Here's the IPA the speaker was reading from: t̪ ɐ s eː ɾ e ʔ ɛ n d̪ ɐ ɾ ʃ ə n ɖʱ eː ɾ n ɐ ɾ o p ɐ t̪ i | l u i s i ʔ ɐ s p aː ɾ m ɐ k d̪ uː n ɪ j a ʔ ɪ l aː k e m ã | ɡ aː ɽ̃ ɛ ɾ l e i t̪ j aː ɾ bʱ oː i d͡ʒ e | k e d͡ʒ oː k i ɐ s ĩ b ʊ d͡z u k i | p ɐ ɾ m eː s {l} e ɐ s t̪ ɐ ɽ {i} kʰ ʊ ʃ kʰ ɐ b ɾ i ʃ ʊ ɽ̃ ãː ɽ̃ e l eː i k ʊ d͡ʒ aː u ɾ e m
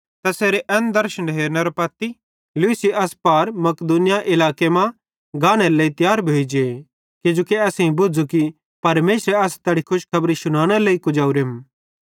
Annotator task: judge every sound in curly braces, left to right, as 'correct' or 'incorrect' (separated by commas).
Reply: incorrect, correct